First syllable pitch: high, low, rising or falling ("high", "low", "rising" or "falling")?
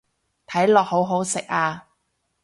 rising